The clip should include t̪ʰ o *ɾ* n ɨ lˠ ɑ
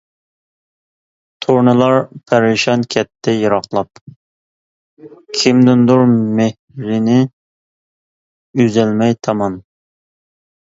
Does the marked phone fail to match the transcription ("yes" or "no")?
no